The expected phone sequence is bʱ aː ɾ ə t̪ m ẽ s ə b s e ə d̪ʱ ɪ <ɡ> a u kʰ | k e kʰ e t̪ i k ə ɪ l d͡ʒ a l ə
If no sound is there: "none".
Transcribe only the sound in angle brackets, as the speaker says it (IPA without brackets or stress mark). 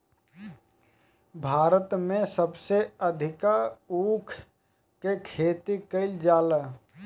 k